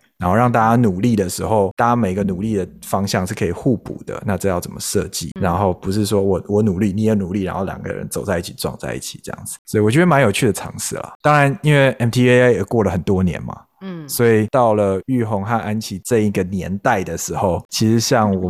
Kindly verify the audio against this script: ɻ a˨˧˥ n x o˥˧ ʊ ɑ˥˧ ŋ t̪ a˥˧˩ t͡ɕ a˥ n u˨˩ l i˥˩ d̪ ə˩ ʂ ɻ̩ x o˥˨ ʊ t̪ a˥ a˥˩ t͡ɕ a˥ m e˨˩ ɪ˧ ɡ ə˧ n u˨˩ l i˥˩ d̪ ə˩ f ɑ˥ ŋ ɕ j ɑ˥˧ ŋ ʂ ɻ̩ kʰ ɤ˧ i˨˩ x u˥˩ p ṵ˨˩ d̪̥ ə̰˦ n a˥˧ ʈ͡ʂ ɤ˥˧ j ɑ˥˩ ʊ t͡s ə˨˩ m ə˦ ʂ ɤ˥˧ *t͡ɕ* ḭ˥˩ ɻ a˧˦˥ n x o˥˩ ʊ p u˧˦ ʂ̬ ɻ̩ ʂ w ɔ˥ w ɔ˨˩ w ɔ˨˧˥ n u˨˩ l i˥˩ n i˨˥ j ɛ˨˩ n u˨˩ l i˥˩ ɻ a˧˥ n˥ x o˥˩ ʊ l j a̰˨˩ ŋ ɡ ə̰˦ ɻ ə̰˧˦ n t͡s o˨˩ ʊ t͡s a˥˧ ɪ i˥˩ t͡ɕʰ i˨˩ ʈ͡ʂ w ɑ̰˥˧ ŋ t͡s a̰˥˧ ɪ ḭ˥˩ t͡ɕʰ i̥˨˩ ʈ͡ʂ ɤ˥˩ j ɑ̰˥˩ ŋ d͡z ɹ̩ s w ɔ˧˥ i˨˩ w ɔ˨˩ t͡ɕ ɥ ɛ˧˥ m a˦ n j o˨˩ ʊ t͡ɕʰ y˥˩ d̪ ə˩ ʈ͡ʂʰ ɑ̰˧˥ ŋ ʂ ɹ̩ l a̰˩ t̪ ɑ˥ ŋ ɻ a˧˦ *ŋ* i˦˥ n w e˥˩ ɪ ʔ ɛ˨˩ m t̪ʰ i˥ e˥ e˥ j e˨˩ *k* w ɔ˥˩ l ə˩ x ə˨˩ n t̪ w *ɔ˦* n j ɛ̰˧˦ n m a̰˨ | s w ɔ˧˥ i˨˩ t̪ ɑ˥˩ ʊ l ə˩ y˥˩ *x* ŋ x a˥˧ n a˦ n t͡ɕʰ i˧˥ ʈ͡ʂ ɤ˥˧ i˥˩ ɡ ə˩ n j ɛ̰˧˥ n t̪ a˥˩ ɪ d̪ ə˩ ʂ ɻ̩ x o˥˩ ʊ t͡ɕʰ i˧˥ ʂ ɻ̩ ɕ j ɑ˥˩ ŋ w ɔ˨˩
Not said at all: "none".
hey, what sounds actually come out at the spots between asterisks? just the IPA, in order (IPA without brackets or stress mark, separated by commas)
t͡ɕ, n, k, ɔ˦, x